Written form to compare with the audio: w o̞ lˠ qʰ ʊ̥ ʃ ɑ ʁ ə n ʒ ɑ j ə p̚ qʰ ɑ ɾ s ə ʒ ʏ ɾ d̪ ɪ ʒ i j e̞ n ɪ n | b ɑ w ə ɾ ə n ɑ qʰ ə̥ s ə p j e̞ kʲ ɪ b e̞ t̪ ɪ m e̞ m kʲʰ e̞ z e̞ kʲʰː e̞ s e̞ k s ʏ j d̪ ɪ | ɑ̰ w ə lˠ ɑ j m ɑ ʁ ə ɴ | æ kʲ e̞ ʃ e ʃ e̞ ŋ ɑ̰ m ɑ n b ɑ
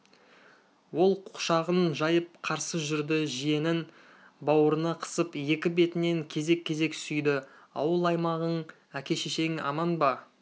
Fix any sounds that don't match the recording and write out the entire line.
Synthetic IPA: w o̞ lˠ qʰ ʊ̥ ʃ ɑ ʁ ə n ʒ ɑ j ə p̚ qʰ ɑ ɾ s ə ʒ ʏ ɾ d̪ ɪ ʒ i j e̞ n ɪ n | b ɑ w ə ɾ ə n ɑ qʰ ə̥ s ə p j e̞ kʲ ɪ b e̞ t̪ ɪ n e̞ ŋ kʲʰ e̞ z e̞ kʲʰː e̞ z e̞ k s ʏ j d̪ ɪ | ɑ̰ w ə lˠ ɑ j m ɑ ʁ ə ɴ | æ kʲ e̞ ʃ e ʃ e̞ ŋ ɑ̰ m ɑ n b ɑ